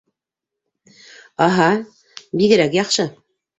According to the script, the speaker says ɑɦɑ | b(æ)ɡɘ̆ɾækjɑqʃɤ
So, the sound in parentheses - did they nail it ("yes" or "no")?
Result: no